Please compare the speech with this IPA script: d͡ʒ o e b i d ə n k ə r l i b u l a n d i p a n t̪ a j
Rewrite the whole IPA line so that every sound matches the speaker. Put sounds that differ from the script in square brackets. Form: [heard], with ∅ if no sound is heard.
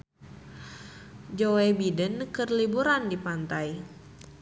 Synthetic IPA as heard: d͡ʒ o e b i d ə n k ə r l i b u [ɾ] a n d i p a n t̪ a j